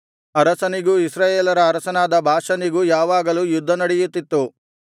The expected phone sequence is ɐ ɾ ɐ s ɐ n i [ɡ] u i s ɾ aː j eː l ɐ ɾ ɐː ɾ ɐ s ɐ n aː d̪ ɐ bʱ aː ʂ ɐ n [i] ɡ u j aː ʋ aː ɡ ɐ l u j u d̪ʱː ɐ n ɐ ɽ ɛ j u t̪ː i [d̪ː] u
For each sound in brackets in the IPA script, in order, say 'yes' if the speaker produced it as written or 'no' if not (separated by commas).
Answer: yes, yes, no